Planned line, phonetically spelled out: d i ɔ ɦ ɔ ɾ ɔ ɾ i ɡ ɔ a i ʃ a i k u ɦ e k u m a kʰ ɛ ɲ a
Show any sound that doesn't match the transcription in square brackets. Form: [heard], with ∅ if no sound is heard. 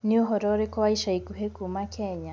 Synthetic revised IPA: [n] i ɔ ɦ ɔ ɾ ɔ ɾ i [k] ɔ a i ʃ a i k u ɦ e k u m a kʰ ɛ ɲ a